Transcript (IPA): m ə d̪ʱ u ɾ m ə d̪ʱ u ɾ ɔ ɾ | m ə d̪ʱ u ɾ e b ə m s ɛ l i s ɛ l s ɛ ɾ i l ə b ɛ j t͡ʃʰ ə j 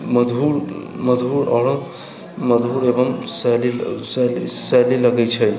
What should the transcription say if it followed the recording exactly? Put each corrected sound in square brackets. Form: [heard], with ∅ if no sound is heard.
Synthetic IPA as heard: m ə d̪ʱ u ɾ m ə d̪ʱ u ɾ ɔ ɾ | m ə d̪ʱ u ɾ e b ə m s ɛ l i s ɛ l s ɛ [l] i l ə [ɡ] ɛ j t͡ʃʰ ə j